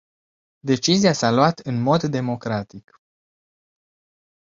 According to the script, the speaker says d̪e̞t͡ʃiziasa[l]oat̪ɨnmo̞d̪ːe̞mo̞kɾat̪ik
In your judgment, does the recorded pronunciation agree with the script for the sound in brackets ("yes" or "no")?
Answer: yes